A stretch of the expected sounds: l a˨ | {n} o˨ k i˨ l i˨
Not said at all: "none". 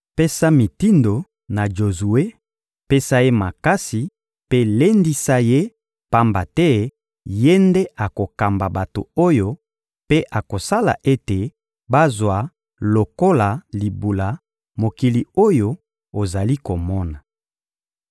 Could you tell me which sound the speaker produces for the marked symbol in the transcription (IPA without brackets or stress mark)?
m